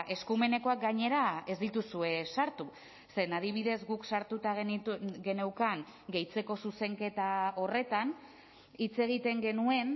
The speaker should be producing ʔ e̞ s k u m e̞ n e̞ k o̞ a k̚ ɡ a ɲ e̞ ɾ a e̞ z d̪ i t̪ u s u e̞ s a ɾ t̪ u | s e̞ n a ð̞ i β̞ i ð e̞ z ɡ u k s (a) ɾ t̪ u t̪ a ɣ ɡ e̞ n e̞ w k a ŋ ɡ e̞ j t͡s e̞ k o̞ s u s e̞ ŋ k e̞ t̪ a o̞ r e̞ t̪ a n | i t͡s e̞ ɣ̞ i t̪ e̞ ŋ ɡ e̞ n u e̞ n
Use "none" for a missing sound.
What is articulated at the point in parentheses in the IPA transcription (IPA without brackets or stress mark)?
a